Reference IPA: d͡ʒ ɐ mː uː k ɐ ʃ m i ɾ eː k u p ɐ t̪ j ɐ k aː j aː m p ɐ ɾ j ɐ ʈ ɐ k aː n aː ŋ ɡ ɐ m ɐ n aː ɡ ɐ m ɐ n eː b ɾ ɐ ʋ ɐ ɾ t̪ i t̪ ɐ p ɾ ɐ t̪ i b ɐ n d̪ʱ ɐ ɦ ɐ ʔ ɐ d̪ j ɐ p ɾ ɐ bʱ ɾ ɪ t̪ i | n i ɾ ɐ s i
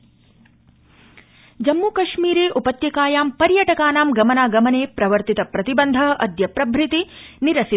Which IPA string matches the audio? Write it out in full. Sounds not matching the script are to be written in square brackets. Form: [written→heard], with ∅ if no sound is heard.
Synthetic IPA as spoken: d͡ʒ ɐ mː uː k ɐ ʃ m [i→iː] ɾ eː [k→ʔ] u p ɐ t̪ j ɐ k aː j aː m p ɐ ɾ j ɐ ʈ ɐ k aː n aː [ŋ→m] ɡ ɐ m ɐ n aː ɡ ɐ m ɐ n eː [b→p] ɾ ɐ ʋ ɐ ɾ t̪ i t̪ ɐ p ɾ ɐ t̪ i b ɐ n d̪ʱ ɐ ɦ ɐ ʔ ɐ d̪ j ɐ p ɾ ɐ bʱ ɾ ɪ t̪ i | n i ɾ ɐ s i